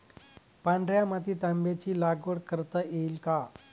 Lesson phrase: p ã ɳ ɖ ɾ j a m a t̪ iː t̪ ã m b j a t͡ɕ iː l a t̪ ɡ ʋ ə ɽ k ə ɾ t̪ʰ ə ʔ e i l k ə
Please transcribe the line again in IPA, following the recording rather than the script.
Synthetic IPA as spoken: p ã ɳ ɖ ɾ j a m a t̪ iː t̪ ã m b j a t͡ɕ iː l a ɡ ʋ ə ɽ k ə ɾ t̪ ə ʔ e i l k a